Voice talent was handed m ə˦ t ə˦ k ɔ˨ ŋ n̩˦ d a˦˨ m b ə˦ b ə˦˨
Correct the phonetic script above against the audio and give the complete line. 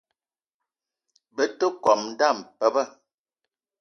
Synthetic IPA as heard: b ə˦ t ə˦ k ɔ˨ m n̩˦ d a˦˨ m p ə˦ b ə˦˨

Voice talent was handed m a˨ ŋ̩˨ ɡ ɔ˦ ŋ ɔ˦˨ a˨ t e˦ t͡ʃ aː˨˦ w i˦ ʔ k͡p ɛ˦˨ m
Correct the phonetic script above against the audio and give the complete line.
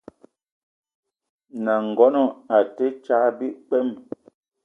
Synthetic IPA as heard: n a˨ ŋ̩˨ ɡ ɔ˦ n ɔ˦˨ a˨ t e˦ t͡ʃ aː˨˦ b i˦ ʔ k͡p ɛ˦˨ m

